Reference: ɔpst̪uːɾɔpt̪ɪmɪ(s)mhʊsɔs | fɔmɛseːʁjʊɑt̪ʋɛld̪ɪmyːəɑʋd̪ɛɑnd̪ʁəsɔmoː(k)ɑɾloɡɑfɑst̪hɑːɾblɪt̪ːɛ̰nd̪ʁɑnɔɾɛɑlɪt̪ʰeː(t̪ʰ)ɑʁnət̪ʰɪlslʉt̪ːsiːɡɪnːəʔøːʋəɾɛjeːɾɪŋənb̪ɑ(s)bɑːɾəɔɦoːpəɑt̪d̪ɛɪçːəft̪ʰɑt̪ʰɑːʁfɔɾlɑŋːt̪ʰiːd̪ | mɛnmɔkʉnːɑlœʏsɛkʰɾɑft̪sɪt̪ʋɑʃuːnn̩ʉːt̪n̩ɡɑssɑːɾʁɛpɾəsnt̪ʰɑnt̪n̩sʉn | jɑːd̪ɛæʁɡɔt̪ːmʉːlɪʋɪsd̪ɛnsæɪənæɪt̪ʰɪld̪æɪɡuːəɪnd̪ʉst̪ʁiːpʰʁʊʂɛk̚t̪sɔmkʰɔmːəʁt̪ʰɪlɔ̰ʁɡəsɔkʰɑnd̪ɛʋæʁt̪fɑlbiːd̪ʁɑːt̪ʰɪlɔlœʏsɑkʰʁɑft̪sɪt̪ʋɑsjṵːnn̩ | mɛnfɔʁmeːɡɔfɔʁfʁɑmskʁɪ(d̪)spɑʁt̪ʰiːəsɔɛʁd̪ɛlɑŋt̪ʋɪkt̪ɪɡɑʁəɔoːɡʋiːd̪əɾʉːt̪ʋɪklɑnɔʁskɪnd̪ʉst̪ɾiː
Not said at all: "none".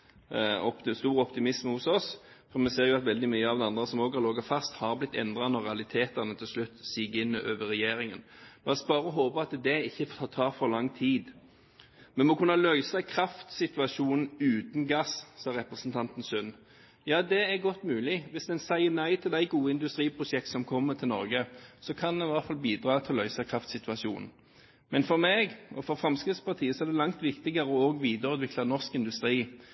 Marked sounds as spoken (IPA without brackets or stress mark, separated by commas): s, ɡ, t̪, s, t̪